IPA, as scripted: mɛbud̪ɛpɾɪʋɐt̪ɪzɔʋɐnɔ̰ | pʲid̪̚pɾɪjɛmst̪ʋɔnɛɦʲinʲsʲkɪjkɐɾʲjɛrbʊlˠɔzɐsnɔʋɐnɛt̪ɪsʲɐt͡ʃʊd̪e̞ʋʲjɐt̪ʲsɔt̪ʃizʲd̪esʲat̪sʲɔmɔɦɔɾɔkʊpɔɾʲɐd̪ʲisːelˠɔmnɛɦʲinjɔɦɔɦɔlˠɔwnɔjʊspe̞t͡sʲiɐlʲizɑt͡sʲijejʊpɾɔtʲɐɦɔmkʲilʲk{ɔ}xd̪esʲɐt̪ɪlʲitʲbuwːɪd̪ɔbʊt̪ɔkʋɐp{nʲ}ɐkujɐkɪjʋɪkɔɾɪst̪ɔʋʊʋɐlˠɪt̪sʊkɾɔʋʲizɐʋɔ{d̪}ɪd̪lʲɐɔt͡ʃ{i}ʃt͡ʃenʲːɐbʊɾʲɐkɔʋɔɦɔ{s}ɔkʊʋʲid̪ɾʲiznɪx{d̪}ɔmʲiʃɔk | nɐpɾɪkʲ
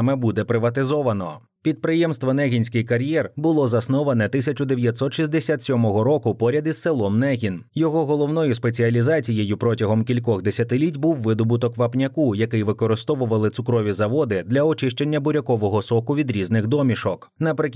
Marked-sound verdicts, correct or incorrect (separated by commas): correct, correct, correct, incorrect, correct, correct